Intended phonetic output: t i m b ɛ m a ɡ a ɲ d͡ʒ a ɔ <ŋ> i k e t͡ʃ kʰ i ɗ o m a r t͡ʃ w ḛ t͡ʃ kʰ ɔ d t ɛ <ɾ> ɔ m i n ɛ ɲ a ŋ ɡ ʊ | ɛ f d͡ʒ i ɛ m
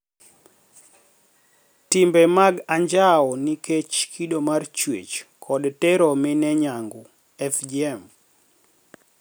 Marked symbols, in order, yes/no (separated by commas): no, yes